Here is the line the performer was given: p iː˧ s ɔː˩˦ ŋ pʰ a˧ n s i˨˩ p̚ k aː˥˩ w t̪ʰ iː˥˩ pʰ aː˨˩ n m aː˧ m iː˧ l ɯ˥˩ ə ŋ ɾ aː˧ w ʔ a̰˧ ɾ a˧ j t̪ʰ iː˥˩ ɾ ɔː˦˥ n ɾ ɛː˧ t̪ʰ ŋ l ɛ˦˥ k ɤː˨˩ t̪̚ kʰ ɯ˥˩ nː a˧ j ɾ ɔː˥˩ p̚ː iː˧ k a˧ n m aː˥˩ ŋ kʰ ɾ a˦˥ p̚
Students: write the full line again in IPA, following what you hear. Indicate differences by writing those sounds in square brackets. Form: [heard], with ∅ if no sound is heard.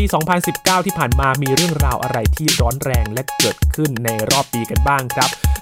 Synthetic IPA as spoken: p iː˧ s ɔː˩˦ ŋ pʰ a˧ n s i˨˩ p̚ k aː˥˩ w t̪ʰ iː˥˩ pʰ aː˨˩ n m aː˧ m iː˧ [ɾ] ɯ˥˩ ə ŋ ɾ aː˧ w ʔ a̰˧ ɾ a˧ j t̪ʰ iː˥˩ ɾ ɔː˦˥ n ɾ ɛː˧ [∅] ŋ l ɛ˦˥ k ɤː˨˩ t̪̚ kʰ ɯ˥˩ nː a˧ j ɾ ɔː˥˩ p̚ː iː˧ k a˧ n [b] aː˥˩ ŋ kʰ ɾ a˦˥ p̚